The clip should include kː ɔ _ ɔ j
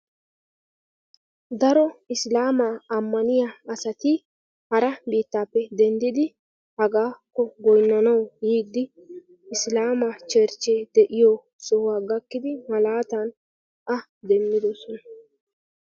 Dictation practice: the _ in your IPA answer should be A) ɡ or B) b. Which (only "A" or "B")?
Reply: A